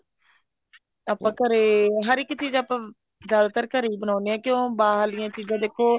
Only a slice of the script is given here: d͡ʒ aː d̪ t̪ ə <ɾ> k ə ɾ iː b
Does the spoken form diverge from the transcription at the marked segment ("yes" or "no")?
no